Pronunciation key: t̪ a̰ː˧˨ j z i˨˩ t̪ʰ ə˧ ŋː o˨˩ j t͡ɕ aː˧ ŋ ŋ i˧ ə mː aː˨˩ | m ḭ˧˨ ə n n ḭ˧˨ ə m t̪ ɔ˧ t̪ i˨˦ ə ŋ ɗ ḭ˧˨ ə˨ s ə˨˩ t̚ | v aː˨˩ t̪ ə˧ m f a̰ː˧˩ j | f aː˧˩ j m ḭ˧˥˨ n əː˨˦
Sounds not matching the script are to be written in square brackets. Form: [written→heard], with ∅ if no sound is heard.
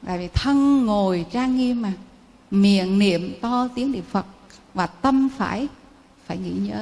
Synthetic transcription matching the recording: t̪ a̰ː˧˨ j [z→v] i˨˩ t̪ʰ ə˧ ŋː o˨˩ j t͡ɕ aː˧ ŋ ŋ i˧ ə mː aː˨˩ | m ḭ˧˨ ə n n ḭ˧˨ ə m t̪ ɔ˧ t̪ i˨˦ ə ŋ ɗ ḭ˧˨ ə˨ [s→f] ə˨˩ t̚ | v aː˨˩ t̪ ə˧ m f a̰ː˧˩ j | f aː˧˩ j [m→ŋ] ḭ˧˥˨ [n→ɲ] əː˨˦